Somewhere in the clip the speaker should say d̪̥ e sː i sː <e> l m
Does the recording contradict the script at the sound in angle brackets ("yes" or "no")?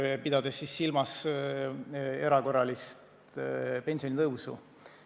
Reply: yes